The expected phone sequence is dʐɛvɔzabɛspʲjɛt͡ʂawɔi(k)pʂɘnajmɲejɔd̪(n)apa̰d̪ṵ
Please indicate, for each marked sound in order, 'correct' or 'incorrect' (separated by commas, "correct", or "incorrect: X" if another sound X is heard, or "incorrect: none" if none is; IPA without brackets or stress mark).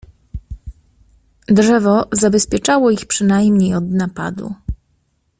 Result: incorrect: x, correct